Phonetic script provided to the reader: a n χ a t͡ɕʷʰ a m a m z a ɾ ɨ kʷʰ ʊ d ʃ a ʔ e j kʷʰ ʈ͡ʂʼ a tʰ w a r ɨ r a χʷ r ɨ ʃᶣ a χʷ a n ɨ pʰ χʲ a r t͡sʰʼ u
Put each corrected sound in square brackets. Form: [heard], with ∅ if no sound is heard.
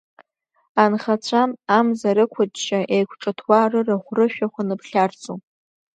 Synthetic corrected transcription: a n χ a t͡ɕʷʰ a m a m z a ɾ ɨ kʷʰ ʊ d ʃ a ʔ e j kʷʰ ʈ͡ʂʼ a tʰ w a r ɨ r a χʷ r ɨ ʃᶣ a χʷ a n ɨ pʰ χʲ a r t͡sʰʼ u